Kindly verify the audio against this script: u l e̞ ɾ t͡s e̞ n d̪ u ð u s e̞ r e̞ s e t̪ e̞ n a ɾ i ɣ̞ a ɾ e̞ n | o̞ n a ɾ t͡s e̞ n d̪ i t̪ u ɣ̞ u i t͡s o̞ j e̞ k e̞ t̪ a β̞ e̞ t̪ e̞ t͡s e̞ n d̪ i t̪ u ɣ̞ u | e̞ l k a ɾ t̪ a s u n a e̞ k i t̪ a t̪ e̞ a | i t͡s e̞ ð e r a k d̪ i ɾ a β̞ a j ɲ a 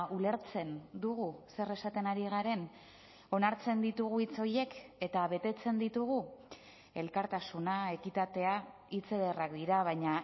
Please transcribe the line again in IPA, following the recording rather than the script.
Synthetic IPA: u l e̞ ɾ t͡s e̞ n d̪ u ɣ u s e̞ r e̞ s a t̪ e̞ n a ɾ i ɣ̞ a ɾ e̞ n | o̞ n a ɾ t͡s e̞ n d̪ i t̪ u ɣ̞ u i t͡s o̞ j e̞ k e̞ t̪ a β̞ e̞ t̪ e̞ t͡s e̞ n d̪ i t̪ u ɣ̞ u | e̞ l k a ɾ t̪ a s u n a e̞ k i t̪ a t̪ e̞ a | i t͡s e̞ ð e r a k d̪ i ɾ a β̞ a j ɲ a